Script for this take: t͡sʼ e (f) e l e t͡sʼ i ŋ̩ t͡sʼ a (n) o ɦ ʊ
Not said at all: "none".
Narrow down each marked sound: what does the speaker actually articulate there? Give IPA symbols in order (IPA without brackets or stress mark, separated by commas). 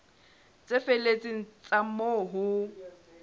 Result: f, m